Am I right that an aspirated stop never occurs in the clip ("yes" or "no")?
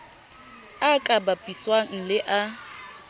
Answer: yes